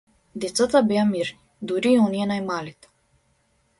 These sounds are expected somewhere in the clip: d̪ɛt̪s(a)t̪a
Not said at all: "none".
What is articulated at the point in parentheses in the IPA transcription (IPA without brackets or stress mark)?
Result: a